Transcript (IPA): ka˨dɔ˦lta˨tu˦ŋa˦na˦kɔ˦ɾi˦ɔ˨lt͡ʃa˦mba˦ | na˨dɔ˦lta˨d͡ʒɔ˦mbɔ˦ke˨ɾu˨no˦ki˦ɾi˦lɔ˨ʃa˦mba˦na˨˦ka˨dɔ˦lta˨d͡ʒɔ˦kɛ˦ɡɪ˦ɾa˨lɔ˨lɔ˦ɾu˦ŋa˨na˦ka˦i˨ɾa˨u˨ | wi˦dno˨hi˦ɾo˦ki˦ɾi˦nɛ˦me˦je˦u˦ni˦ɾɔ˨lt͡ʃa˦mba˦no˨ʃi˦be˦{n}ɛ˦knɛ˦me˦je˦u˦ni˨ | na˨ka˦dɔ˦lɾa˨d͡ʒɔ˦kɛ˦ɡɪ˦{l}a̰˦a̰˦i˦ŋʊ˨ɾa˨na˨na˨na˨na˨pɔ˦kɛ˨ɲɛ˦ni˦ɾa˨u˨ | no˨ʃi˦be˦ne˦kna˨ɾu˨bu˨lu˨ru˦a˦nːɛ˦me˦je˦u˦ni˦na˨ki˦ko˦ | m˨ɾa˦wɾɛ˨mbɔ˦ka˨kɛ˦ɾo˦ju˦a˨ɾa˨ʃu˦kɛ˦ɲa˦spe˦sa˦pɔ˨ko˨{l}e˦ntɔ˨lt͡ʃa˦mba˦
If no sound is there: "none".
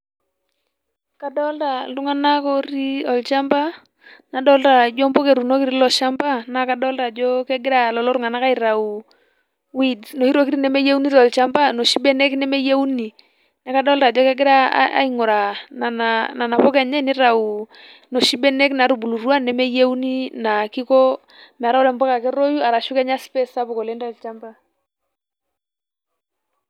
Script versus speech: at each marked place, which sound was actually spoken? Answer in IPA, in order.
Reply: n, ɾ, l

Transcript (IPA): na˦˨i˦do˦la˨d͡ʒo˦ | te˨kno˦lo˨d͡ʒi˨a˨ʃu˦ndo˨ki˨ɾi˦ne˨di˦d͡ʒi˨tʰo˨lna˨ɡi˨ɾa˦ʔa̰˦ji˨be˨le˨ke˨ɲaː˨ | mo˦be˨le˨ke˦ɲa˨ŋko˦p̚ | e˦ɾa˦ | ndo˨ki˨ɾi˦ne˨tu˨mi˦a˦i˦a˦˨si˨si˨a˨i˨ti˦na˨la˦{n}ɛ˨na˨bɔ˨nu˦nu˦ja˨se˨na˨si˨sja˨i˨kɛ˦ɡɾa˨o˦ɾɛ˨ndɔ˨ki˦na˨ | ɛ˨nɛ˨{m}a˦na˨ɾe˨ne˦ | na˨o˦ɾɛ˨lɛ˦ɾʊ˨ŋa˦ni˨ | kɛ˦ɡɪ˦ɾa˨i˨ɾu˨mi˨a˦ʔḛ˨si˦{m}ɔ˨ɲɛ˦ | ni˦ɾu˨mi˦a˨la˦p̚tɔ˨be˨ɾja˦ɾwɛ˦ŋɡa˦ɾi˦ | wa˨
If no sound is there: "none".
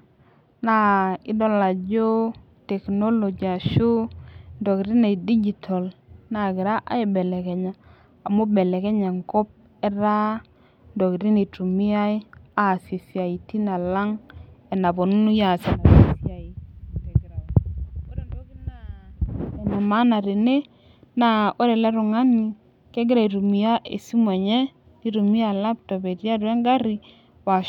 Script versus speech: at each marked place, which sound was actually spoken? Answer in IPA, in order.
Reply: ŋ, m, m

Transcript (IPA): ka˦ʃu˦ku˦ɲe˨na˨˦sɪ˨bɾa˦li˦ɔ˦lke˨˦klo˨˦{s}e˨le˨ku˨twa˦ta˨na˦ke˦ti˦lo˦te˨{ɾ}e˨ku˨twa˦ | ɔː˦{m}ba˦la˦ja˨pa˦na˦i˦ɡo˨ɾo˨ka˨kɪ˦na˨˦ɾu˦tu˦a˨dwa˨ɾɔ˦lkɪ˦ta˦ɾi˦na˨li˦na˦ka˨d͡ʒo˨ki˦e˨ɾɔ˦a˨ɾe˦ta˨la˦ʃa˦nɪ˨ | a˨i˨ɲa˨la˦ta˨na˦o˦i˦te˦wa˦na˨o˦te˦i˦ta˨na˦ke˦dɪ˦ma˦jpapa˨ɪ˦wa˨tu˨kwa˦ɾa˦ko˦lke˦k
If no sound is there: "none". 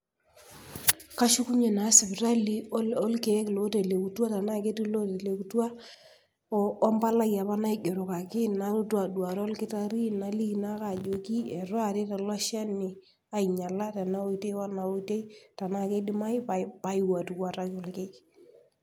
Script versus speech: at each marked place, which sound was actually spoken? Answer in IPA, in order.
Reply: t, l, m

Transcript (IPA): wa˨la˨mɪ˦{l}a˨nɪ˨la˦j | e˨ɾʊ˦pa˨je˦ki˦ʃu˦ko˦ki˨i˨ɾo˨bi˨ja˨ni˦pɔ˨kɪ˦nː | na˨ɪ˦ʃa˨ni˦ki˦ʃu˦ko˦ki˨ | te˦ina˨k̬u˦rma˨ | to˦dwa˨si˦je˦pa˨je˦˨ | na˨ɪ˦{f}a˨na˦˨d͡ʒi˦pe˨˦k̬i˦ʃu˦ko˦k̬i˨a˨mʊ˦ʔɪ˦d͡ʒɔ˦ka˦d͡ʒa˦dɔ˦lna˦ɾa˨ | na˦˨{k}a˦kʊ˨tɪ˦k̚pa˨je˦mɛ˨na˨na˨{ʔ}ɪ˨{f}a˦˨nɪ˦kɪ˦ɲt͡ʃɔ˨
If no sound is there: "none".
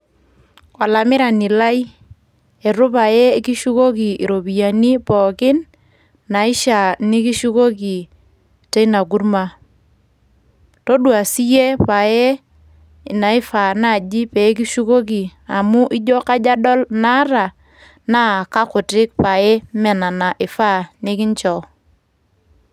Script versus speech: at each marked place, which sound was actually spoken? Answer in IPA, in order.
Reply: ɾ, f, k, ʔ, f

